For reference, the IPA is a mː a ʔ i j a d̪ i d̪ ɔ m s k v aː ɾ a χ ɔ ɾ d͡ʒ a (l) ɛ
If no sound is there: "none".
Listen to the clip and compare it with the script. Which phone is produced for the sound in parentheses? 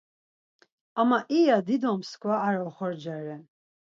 ɾ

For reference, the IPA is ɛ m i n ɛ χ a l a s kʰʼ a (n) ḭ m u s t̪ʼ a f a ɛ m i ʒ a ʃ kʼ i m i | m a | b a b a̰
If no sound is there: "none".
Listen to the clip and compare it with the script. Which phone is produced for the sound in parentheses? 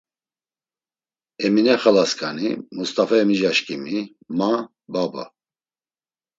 n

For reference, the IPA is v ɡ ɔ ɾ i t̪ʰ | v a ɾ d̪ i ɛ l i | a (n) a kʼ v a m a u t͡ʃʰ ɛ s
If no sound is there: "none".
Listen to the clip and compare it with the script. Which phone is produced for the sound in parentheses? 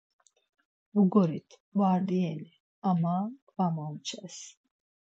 m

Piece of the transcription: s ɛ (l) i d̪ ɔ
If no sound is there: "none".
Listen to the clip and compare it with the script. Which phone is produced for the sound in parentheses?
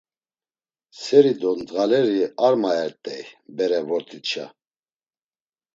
ɾ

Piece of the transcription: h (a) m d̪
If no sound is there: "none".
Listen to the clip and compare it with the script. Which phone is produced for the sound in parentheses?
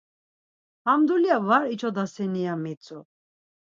a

